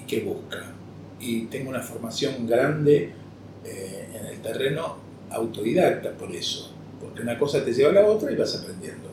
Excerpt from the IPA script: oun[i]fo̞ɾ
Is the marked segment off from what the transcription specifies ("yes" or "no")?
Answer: yes